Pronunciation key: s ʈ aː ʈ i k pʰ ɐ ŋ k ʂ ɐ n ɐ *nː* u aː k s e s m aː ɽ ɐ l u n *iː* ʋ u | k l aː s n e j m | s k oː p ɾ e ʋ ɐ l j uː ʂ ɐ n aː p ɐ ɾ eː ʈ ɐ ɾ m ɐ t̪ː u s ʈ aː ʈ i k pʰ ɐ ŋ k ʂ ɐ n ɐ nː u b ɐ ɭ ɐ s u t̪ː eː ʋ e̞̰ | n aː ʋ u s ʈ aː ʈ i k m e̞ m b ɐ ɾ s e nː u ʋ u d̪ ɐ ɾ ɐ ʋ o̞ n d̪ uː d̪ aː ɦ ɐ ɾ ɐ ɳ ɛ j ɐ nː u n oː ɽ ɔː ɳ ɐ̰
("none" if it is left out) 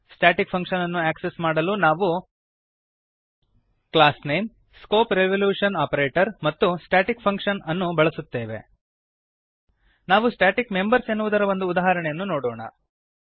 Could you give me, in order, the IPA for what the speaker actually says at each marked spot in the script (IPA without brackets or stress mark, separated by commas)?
nː, aː